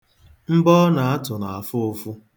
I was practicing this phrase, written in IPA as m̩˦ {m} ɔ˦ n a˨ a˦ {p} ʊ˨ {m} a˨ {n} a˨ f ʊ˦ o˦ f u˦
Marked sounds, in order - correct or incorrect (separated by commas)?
incorrect, incorrect, incorrect, incorrect